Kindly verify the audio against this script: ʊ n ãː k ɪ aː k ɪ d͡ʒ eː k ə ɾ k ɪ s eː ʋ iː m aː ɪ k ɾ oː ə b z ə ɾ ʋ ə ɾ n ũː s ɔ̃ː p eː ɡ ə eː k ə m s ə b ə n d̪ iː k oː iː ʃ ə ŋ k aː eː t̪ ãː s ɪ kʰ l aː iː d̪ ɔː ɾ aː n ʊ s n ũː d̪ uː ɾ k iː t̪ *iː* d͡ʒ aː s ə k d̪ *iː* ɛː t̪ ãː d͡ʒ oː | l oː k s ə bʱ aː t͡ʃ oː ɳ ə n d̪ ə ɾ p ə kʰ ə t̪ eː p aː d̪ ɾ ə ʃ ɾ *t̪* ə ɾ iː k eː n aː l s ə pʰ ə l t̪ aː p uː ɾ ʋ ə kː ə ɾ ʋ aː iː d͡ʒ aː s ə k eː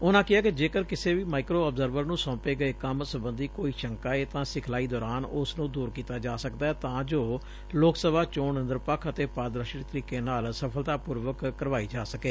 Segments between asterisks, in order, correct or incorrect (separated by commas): incorrect, incorrect, correct